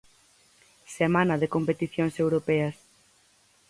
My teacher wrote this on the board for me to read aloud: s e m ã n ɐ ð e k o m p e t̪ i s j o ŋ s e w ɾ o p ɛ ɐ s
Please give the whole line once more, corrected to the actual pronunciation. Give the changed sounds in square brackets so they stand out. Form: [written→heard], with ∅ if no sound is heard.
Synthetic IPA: s e m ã n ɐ ð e k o m p e t̪ i [s→θ] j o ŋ s e w ɾ o p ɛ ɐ s